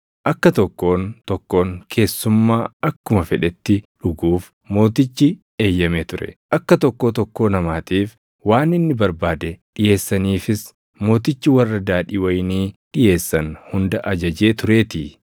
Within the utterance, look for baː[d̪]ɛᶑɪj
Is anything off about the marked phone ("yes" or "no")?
no